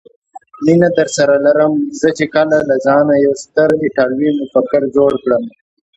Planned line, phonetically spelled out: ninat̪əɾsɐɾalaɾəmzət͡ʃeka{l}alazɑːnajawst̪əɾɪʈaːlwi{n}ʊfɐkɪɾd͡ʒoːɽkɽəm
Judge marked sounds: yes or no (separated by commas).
yes, no